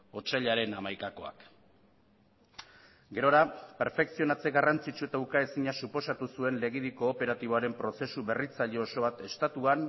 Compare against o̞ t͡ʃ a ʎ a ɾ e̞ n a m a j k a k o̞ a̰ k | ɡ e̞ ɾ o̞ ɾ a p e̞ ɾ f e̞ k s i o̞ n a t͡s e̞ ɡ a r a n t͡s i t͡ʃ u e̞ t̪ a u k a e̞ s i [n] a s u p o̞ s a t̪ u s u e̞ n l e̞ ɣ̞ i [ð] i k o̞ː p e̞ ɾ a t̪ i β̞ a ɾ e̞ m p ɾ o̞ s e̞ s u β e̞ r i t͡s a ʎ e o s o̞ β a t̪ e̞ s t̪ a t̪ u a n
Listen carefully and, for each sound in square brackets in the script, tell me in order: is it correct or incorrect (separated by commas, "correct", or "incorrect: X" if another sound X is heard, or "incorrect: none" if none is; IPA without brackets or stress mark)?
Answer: incorrect: ɲ, correct